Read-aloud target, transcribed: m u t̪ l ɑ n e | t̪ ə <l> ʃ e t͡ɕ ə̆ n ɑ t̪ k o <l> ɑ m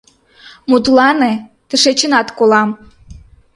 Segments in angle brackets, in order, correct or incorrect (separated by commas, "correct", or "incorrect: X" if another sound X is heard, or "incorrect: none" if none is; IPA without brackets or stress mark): incorrect: none, correct